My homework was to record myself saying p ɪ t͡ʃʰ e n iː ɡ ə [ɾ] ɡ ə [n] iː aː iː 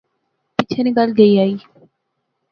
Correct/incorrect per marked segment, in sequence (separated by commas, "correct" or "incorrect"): incorrect, incorrect